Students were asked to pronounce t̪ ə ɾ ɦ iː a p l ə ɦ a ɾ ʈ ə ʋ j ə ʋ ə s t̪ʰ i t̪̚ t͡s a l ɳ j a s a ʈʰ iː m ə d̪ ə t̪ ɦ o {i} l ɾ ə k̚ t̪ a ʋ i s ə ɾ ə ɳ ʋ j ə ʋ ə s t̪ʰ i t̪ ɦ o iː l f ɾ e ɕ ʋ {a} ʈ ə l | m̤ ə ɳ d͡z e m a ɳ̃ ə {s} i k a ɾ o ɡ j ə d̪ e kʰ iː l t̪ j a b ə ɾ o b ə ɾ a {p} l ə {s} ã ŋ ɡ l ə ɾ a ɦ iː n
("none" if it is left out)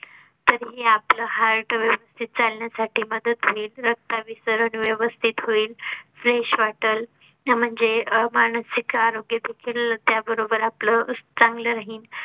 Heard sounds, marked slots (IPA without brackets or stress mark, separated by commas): iː, a, s, p, t͡s